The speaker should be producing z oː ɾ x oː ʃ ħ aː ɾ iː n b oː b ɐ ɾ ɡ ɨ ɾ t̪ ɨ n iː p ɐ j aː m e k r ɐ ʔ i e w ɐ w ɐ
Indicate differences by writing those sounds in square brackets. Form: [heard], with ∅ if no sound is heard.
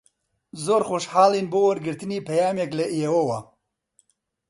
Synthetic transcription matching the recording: z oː ɾ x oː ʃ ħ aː [l] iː n b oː [w] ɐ ɾ ɡ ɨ ɾ t̪ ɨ n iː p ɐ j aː m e k [l] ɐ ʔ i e w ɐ w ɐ